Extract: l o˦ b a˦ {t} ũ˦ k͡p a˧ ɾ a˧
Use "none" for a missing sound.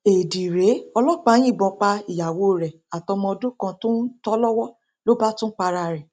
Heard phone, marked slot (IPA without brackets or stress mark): t